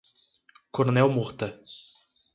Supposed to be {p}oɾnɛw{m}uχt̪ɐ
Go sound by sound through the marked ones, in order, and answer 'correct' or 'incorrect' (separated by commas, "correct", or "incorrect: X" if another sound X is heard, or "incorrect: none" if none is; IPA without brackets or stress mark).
incorrect: k, correct